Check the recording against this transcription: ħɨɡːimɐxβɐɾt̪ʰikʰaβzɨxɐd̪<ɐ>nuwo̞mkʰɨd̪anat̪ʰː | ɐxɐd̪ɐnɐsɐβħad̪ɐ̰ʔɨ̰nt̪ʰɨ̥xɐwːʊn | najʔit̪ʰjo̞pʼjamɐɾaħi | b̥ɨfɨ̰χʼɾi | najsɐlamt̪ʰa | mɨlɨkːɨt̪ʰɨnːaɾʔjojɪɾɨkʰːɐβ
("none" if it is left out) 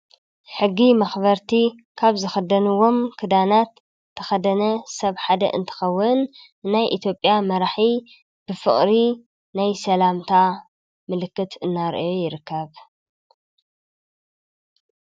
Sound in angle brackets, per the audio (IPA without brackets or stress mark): ɐ